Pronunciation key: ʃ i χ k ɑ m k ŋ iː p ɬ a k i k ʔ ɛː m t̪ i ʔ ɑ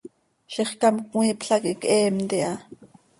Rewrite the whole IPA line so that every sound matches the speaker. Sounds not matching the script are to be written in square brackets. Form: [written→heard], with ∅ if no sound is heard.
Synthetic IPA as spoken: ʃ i χ k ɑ m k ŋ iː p ɬ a k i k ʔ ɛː m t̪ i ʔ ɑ